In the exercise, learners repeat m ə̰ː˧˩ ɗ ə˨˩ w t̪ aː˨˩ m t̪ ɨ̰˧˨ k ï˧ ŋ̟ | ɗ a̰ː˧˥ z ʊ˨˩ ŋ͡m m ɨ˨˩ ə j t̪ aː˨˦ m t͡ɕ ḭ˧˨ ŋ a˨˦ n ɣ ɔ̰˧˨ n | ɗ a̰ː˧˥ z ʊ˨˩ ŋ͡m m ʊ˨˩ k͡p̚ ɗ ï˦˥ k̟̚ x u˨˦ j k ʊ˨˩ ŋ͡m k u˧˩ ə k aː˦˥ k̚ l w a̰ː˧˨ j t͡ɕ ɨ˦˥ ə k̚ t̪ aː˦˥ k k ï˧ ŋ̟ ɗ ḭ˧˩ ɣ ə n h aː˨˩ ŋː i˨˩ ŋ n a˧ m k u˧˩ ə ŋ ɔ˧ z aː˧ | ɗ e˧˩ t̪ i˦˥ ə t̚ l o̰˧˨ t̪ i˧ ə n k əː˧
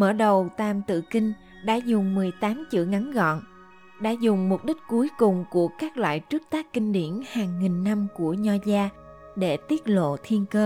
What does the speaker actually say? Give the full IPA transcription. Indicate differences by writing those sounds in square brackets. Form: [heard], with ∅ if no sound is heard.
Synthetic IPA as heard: m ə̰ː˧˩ ɗ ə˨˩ w t̪ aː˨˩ m t̪ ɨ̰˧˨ k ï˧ ŋ̟ | ɗ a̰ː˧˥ z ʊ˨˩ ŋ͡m m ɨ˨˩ ə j t̪ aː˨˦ m t͡ɕ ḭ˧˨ ŋ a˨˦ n ɣ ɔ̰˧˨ n | ɗ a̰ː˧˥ z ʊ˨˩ ŋ͡m m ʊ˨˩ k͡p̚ ɗ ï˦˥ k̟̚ [k] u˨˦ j k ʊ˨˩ ŋ͡m k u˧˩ ə k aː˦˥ k̚ l w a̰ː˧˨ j t͡ɕ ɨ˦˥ ə k̚ t̪ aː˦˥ k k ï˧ ŋ̟ ɗ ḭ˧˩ [∅] ə n h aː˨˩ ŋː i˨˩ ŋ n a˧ m k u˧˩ ə [ɲ] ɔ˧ z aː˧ | ɗ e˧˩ t̪ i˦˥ ə t̚ l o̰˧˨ [t̪ʰ] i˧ ə n k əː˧